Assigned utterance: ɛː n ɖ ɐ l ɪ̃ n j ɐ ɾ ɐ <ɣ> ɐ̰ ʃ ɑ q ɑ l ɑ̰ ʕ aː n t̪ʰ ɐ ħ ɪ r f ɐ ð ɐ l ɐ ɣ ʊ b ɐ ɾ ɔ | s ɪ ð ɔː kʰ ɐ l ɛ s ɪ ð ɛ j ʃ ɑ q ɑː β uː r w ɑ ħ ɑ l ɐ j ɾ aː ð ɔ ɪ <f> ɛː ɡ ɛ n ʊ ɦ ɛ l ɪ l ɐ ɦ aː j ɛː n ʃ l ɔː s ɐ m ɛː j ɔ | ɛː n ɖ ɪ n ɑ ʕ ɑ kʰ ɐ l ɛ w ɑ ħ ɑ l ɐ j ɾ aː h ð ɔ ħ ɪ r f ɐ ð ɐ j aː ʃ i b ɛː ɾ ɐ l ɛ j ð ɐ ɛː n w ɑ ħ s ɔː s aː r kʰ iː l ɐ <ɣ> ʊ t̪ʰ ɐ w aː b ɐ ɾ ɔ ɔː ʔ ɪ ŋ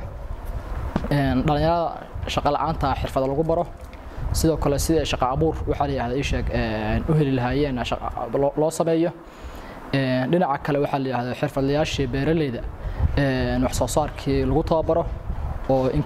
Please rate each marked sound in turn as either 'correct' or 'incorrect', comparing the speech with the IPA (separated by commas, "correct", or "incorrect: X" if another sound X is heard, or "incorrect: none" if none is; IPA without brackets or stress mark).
incorrect: ð, incorrect: ʃ, correct